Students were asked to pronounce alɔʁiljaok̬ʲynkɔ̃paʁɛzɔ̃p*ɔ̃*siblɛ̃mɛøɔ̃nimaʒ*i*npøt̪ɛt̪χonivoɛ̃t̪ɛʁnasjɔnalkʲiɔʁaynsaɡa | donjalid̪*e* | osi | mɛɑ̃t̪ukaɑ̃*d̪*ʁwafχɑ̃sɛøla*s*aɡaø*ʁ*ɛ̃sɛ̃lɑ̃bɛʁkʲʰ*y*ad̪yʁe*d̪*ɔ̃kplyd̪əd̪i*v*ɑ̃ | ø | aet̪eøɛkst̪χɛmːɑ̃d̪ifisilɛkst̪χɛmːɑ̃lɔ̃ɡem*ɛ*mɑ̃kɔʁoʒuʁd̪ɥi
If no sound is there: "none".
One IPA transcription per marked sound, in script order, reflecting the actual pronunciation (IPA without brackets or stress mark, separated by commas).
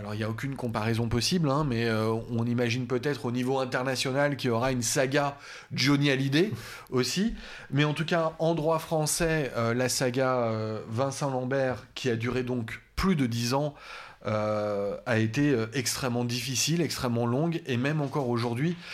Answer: ɔ, i, e, d̪, s, v, i, d̪, z, ɛ